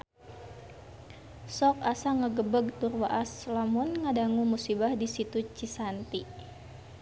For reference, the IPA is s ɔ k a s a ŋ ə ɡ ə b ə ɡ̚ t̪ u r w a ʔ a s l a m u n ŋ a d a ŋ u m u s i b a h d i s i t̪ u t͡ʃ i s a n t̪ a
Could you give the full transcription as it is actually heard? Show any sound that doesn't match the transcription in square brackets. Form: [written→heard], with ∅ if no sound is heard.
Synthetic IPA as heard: s ɔ k a s a ŋ ə ɡ ə b ə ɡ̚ t̪ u r w a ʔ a s l a m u n ŋ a d a ŋ u m u s i b a h d i s i t̪ u t͡ʃ i s a n t̪ [a→i]

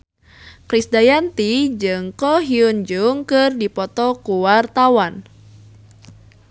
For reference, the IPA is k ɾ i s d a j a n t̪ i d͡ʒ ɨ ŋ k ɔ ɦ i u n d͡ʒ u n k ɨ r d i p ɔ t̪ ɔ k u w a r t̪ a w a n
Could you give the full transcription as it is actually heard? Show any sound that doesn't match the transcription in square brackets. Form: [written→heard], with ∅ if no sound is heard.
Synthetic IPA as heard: k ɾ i s d a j a n t̪ i d͡ʒ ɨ ŋ k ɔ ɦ i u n d͡ʒ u [n→ŋ] k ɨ r d i p ɔ t̪ ɔ k u w a r t̪ a w a n

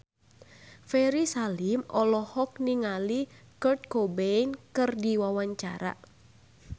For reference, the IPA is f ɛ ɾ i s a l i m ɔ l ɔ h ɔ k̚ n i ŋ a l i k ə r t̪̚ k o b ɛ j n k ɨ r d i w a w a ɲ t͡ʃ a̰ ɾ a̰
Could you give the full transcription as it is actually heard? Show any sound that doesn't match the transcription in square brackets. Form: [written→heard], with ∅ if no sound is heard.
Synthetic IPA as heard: f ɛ ɾ i s a l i m ɔ l ɔ h ɔ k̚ n i ŋ a l i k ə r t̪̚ k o b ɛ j n k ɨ r d i w a w a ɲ t͡ʃ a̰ ɾ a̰

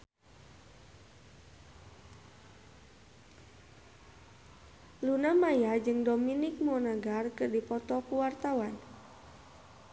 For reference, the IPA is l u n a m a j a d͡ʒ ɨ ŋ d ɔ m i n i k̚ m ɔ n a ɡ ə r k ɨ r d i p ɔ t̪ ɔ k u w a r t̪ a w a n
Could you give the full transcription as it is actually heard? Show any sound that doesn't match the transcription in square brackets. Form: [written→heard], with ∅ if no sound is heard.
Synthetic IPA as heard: l u n a m a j a d͡ʒ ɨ ŋ d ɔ m i n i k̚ m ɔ n a ɡ [ə→a] r k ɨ r d i p ɔ t̪ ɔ k u w a r t̪ a w a n

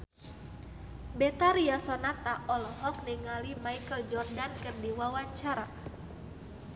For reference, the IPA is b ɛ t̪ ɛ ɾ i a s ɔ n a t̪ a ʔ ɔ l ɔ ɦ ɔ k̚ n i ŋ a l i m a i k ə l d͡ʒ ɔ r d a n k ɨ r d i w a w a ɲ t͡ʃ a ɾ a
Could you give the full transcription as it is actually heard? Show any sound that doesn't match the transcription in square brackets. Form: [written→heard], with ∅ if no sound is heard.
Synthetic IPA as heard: b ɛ t̪ [ɛ→a] ɾ i a s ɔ n a t̪ a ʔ ɔ l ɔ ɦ ɔ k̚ n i ŋ a l i m a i k ə l d͡ʒ ɔ r d a n k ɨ r d i w a w a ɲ t͡ʃ a ɾ a

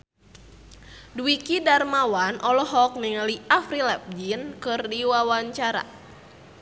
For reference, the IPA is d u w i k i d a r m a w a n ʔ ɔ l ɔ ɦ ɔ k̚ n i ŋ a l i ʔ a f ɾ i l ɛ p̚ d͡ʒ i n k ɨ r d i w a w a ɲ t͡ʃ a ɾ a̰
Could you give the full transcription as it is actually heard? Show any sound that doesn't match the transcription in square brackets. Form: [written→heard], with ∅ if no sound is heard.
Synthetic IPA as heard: d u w i k i d a r m a w a n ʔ ɔ l ɔ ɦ ɔ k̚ n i ŋ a l i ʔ a f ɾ i l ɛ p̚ d͡ʒ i n k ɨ r d i w a w a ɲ t͡ʃ a ɾ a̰

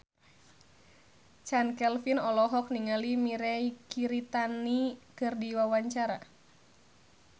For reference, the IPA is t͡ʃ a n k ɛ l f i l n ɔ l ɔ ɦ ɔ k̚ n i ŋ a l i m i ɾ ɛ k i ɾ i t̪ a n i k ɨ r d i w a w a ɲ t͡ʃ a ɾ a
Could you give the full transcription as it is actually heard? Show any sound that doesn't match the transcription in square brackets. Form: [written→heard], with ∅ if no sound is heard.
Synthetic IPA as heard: t͡ʃ a n k ɛ l f i [l→∅] n ɔ l ɔ ɦ ɔ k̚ n i ŋ a l i m i ɾ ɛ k i ɾ i t̪ a n i k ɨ r d i w a w a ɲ t͡ʃ a ɾ a

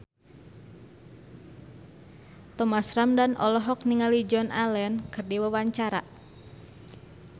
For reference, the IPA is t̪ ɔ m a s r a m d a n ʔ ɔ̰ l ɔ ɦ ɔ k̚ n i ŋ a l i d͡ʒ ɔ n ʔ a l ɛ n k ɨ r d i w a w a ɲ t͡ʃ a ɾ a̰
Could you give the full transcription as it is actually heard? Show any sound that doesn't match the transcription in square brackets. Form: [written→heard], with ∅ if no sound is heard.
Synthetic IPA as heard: t̪ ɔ m a s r a m d a n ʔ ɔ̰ l ɔ ɦ ɔ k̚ n i ŋ a l i d͡ʒ ɔ n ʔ a l ɛ n k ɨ r d i w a w a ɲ t͡ʃ a ɾ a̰

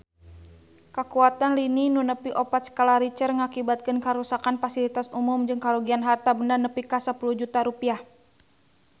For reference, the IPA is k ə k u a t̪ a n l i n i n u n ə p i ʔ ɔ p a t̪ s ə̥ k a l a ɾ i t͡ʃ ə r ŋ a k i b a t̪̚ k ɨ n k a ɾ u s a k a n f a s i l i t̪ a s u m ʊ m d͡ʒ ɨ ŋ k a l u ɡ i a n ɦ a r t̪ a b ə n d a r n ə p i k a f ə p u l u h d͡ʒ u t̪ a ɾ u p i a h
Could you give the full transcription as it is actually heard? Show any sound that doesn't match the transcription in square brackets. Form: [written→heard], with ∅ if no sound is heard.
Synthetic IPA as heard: k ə k u a t̪ a n l i n i n u n ə p i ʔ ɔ p a t̪ s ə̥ k a l a ɾ i t͡ʃ ə r ŋ a k i b a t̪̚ k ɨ n k a ɾ u s a k a n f a s i l i t̪ a s u m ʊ m d͡ʒ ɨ ŋ k a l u ɡ i a n ɦ a r t̪ a b ə n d a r n ə p i k a [f→s] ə p u l u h d͡ʒ u t̪ a ɾ u p i a h

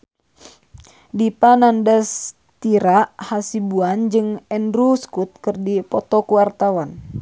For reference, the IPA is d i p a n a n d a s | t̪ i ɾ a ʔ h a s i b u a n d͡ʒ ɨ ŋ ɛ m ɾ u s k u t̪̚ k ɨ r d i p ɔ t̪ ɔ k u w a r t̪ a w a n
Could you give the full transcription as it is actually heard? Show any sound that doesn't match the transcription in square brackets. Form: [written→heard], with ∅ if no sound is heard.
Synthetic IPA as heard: d i p a n a n d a s | t̪ i ɾ a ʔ h a s i b u a n d͡ʒ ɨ ŋ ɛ [m→n] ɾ u s k u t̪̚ k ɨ r d i p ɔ t̪ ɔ k u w a r t̪ a w a n

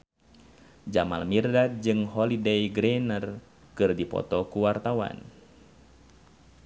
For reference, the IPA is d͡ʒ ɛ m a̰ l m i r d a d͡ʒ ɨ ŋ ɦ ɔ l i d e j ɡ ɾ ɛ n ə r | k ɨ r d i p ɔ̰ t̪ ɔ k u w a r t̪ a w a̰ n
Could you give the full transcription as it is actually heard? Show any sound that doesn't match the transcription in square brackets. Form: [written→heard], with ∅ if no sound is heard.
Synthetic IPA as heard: d͡ʒ [ɛ→a] m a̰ l m i r d a d͡ʒ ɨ ŋ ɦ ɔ l i d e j ɡ ɾ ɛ n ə r | k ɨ r d i p ɔ̰ t̪ ɔ k u w a r t̪ a w a̰ n

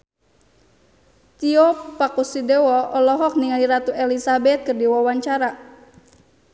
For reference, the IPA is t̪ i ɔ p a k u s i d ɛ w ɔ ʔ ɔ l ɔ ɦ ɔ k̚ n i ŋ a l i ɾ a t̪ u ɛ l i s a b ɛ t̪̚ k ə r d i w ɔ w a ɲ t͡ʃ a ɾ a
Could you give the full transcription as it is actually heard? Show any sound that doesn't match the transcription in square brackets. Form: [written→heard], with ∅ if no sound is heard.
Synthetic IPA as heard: t̪ i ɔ p a k u s i d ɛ w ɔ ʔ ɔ l ɔ ɦ ɔ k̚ n i ŋ a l i ɾ a t̪ u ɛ l i s a b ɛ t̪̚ k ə r d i w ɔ w a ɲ t͡ʃ a ɾ a

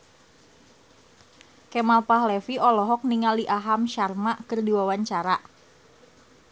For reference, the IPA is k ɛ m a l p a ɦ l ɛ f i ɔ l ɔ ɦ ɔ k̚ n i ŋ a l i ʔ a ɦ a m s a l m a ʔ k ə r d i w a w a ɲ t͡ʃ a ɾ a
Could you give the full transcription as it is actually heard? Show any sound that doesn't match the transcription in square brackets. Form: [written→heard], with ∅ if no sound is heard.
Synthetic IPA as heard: k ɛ m a l p a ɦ l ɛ f i ɔ l ɔ ɦ ɔ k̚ n i ŋ a l i ʔ a ɦ a m [s→ʃ] a [l→r] m a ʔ k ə r d i w a w a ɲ t͡ʃ a ɾ a

